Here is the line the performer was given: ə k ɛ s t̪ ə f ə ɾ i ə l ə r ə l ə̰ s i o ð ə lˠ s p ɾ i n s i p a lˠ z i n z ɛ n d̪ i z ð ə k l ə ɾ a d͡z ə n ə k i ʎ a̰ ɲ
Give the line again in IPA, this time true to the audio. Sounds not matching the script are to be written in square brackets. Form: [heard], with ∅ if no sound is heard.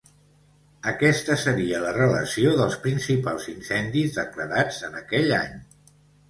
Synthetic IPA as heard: ə k ɛ s t̪ ə [s] ə ɾ i ə l ə r ə l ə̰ s i o ð ə lˠ s p ɾ i n s i p a lˠ z i n [s] ɛ n d̪ i z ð ə k l ə ɾ a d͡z ə n ə k [ɛ] ʎ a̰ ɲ